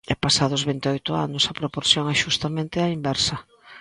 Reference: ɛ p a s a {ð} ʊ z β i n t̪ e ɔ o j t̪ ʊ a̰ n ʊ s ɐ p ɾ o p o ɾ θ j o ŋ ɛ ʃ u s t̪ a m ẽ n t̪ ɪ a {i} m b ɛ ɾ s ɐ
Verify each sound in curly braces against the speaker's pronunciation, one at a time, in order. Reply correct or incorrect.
correct, correct

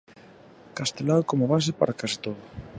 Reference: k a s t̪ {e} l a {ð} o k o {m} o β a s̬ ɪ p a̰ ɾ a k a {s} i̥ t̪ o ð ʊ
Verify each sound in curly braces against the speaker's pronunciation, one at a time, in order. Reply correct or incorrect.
correct, correct, correct, correct

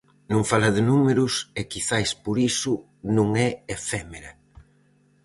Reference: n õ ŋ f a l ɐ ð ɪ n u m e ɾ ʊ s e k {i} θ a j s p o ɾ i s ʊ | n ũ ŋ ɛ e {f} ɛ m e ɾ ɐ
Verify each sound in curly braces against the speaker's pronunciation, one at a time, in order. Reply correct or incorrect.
correct, correct

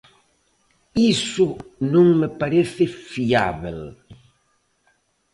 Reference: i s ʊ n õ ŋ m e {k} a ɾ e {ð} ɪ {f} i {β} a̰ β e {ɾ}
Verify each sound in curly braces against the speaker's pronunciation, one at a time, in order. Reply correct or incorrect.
incorrect: p, incorrect: θ, correct, incorrect: none, incorrect: l

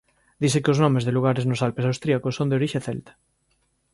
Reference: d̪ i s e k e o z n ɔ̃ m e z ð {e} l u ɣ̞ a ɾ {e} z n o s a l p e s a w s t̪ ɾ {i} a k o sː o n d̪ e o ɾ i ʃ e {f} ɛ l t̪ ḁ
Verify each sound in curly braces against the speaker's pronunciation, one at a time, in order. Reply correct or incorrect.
correct, correct, correct, incorrect: θ

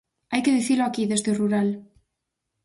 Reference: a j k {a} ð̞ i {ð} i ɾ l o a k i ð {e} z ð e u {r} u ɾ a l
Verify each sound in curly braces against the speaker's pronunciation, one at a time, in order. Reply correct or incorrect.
incorrect: e, incorrect: θ, correct, correct

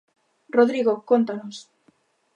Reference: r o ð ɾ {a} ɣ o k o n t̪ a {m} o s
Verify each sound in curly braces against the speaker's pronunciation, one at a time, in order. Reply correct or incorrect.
incorrect: i, incorrect: n

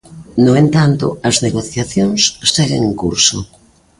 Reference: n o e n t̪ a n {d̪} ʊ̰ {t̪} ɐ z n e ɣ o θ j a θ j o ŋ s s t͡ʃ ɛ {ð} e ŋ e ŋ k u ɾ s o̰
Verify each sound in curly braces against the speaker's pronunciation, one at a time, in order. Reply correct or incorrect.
incorrect: t̪, incorrect: none, incorrect: ɣ

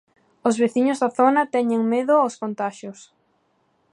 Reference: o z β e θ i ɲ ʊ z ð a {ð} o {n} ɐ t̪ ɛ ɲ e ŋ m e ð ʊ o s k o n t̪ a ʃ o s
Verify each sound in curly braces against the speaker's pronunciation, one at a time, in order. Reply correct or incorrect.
incorrect: θ, correct

